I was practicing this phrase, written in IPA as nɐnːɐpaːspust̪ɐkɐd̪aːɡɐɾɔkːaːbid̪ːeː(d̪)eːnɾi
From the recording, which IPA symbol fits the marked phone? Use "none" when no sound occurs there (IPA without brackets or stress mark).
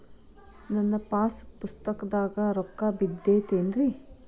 t̪